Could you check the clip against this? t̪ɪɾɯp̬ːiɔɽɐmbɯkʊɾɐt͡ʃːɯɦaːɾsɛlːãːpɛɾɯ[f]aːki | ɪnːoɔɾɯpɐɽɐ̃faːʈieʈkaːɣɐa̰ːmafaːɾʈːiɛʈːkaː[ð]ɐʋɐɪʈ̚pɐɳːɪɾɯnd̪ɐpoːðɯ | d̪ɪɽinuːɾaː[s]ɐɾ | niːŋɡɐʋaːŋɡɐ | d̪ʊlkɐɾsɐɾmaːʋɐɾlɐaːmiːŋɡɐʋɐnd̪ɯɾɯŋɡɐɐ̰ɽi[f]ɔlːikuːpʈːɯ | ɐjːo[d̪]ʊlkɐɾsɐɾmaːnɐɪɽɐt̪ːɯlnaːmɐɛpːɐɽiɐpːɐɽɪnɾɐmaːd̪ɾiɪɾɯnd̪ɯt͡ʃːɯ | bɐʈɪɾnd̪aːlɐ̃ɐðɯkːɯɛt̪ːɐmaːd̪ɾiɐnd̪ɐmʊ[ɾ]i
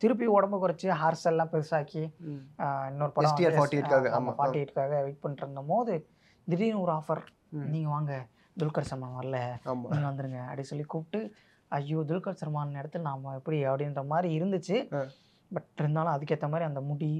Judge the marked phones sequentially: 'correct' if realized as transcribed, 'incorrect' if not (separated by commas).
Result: incorrect, incorrect, incorrect, incorrect, correct, incorrect